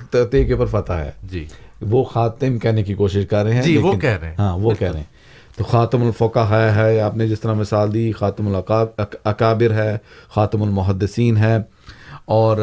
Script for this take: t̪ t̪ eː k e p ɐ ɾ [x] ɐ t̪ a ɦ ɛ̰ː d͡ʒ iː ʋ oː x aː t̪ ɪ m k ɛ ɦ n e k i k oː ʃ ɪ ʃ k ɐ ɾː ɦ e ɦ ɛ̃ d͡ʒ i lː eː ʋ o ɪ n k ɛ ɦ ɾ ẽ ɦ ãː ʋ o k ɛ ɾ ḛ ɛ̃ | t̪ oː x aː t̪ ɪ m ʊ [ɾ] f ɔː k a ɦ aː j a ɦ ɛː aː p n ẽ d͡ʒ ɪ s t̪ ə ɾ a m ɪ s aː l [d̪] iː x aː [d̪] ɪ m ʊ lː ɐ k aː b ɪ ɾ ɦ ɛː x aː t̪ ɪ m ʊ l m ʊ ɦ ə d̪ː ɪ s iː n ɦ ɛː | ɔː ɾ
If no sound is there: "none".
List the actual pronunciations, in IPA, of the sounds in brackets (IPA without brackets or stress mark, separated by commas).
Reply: f, l, d̪, t̪